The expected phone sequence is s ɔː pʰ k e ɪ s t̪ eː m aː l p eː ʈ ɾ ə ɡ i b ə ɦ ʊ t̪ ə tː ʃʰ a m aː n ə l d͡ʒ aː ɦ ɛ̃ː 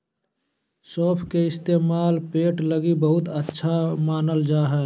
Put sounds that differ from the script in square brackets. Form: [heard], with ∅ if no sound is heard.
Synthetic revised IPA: s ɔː pʰ k e ɪ s t̪ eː m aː l p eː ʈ [l] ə ɡ i b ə ɦ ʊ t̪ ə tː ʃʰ a m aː n ə l d͡ʒ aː ɦ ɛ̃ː